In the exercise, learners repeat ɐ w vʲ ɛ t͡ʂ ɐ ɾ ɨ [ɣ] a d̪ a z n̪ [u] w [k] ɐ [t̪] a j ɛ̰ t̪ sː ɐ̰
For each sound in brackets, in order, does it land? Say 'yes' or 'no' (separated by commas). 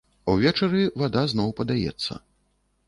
no, no, no, no